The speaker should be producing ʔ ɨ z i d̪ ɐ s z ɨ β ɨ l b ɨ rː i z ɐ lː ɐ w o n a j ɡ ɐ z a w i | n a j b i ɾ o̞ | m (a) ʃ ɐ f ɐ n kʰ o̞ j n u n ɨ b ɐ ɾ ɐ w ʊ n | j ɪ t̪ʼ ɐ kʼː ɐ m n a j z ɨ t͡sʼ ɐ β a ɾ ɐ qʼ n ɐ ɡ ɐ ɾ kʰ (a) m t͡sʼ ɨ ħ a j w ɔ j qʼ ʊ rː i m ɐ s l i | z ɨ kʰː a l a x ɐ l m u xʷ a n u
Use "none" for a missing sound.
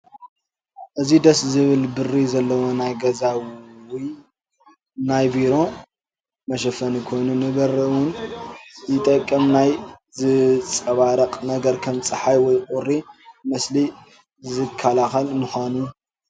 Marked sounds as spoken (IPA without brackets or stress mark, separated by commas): ɐ, ɐ